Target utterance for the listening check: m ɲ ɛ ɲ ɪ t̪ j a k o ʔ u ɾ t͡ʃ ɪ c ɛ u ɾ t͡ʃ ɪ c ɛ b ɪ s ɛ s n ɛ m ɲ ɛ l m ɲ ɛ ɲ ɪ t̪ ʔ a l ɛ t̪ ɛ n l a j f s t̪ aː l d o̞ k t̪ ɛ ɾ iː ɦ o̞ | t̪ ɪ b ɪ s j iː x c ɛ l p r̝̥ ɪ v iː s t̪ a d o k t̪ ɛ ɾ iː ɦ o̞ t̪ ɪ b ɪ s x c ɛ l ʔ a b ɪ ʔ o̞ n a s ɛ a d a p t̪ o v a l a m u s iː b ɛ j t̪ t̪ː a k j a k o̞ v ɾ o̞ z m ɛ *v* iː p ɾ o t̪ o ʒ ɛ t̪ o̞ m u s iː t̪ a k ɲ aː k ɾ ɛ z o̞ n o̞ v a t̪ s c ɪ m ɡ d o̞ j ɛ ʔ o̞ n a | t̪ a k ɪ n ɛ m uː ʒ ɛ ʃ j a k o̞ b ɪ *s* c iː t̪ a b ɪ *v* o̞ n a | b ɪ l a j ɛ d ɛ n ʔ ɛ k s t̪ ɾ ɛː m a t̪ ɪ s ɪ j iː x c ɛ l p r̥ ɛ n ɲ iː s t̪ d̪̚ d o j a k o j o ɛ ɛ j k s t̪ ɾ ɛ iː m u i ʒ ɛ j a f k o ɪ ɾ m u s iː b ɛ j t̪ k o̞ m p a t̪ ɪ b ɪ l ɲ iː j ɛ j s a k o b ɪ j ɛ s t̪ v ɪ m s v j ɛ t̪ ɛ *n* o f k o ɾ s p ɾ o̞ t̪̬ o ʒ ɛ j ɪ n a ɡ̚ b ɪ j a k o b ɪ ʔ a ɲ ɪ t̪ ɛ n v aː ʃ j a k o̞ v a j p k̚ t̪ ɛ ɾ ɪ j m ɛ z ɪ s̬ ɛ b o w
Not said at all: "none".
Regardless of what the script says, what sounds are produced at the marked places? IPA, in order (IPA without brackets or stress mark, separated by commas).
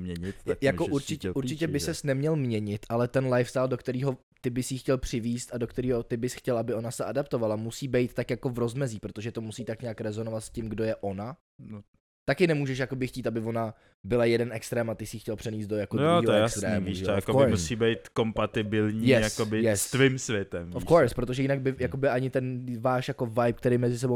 z, x, v, m